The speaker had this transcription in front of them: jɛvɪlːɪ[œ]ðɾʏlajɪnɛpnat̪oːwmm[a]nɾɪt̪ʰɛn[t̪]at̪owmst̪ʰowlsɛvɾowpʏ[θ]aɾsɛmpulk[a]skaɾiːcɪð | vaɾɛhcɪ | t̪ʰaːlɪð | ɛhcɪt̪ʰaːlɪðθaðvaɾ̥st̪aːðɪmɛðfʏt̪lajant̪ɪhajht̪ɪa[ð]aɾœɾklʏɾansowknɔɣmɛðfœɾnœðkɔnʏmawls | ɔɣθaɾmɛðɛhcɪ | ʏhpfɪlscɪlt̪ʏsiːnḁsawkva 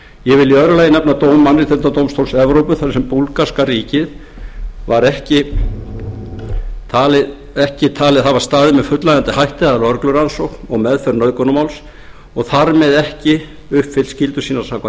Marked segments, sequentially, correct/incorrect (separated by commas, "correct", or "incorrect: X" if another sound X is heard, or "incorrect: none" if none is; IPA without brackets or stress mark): correct, correct, correct, correct, correct, correct